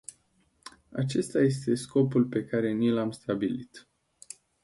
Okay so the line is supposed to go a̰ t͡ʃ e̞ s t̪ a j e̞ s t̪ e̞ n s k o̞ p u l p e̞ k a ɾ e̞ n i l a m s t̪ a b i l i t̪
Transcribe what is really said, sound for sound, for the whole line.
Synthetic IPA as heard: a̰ t͡ʃ e̞ s t̪ a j e̞ s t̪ e̞ s k o̞ p u l p e̞ k a ɾ e̞ n i l a m s t̪ a b i l i t̪